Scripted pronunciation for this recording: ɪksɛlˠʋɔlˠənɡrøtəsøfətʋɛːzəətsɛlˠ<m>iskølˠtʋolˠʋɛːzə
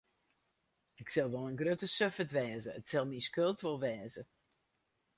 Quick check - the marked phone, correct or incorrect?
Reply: correct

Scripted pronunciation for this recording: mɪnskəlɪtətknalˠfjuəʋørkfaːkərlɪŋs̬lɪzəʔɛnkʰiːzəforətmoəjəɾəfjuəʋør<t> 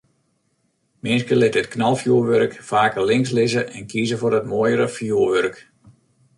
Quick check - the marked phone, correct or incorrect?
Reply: incorrect: k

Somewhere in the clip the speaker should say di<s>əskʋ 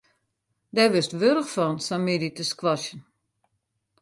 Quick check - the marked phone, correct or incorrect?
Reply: incorrect: t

